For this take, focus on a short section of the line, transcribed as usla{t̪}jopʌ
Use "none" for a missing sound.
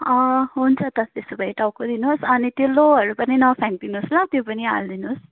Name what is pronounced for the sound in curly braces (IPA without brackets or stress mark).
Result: t̪